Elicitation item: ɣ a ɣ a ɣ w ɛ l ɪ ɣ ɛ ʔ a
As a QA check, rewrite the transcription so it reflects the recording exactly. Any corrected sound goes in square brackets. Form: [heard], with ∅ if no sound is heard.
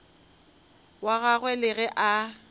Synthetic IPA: [w] a ɣ a ɣ w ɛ l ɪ ɣ ɛ ʔ a